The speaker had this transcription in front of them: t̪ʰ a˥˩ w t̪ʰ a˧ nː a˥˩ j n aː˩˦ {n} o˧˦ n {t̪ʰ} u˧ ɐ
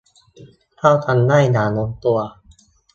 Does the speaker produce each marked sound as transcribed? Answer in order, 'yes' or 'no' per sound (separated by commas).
yes, no